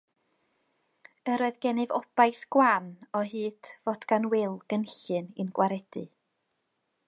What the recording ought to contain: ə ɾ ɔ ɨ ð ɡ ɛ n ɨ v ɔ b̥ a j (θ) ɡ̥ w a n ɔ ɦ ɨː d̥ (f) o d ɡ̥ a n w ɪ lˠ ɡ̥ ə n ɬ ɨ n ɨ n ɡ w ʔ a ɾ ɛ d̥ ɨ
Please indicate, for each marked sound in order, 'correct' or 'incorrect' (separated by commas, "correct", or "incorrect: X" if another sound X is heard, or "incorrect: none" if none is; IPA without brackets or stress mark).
correct, incorrect: v